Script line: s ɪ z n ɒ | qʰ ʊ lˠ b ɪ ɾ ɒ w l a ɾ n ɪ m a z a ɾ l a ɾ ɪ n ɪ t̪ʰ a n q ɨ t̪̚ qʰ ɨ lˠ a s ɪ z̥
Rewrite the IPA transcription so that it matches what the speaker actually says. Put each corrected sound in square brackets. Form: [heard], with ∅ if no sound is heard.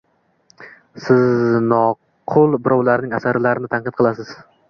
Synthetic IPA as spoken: s ɪ z n ɒ | qʰ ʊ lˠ b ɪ ɾ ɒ w l a ɾ n ɪ [ŋ] a [s] a ɾ l a ɾ ɪ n ɪ t̪ʰ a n q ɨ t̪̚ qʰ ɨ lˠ a s ɪ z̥